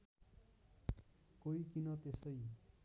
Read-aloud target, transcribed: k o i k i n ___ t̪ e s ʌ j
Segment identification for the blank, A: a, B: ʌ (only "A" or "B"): B